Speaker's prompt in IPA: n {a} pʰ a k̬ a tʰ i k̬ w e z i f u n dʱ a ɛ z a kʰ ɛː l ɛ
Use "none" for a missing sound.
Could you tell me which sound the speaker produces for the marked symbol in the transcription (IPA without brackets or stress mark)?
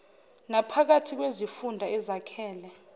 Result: a